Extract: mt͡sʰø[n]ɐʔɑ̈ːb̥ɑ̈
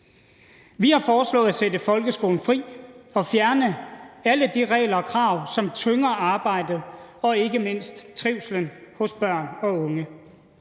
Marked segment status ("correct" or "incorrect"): incorrect